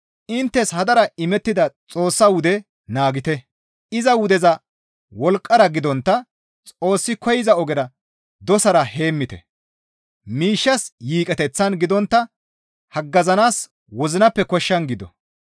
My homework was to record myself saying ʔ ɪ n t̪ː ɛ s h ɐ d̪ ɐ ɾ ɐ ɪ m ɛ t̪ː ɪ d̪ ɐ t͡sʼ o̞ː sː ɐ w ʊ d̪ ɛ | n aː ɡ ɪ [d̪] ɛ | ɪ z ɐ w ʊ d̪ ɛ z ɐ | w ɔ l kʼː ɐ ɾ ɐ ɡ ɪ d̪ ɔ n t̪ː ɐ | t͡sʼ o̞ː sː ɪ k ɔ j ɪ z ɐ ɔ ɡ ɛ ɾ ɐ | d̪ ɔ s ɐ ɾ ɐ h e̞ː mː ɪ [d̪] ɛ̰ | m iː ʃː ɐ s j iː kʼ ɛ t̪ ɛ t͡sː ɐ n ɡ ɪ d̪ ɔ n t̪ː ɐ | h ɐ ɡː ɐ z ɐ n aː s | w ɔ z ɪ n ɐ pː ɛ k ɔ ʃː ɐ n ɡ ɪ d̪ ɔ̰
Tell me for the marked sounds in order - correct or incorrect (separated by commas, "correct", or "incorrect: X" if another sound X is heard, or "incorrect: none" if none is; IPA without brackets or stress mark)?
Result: incorrect: t̪, incorrect: t̪